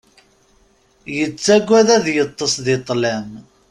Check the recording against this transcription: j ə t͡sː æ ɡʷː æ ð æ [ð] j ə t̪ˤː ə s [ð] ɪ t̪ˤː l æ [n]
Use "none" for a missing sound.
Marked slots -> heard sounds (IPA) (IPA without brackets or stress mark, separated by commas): ð, ð, m